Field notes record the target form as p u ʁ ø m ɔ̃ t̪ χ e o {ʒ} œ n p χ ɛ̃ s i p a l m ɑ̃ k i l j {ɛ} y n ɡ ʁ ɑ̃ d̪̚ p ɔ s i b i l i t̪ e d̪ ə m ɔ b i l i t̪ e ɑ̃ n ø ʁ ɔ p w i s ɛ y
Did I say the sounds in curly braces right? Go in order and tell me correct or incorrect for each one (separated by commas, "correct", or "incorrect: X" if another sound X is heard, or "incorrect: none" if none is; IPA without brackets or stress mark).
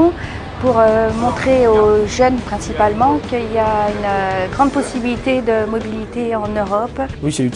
correct, incorrect: a